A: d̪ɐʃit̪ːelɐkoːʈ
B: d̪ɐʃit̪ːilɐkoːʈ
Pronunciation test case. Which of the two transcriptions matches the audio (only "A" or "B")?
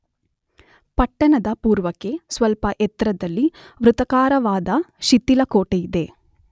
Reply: B